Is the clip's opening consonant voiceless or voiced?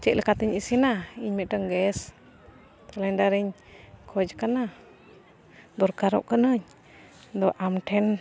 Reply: voiceless